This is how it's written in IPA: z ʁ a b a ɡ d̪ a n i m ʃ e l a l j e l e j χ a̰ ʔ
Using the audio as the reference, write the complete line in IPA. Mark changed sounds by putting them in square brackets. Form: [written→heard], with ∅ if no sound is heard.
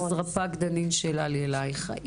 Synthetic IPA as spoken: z ʁ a [b→p] a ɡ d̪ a n i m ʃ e l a l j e l [e→a] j χ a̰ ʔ